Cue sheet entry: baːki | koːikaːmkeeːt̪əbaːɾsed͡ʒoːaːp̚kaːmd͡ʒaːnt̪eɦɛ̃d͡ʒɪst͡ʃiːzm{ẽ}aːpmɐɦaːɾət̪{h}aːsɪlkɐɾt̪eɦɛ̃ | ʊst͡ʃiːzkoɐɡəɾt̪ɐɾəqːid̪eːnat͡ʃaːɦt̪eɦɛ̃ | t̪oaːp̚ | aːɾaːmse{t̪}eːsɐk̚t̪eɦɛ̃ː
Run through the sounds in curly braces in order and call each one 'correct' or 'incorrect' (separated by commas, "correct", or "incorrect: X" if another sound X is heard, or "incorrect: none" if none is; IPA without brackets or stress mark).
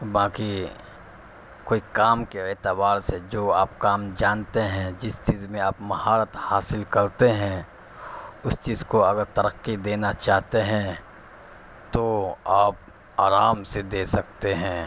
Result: correct, correct, incorrect: d̪